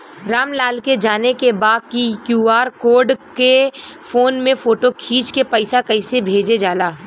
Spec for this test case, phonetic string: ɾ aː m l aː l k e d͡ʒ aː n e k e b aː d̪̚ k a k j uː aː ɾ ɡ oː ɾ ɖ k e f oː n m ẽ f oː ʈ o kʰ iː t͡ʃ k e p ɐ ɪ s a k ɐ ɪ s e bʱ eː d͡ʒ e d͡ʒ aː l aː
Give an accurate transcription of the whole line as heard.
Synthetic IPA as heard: ɾ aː m l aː l k e d͡ʒ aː n e k e b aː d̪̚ k i k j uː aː ɾ k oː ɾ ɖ k e f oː n m ẽ f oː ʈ o kʰ iː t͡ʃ k e p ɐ ɪ s a k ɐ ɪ s e bʱ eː d͡ʒ e d͡ʒ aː l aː